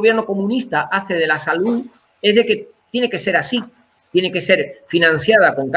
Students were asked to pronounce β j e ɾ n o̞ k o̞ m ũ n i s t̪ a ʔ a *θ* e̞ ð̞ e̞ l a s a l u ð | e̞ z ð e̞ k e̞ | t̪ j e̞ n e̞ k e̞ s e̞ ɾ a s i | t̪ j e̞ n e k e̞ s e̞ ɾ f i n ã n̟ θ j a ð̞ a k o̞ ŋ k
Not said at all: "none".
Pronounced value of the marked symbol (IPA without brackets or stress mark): θ